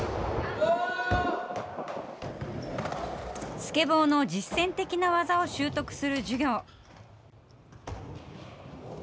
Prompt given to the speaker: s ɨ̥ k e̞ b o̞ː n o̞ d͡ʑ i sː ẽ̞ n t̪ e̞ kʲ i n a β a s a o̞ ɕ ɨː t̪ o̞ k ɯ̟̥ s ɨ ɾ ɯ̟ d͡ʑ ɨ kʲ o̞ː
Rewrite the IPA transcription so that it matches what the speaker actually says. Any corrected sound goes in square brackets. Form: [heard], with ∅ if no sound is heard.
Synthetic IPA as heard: s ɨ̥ k e̞ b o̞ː n o̞ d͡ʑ i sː ẽ̞ n t̪ e̞ kʲ i n a β a [z] a o̞ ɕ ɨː t̪ o̞ k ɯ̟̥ s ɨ ɾ ɯ̟ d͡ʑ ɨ [ɡʲ] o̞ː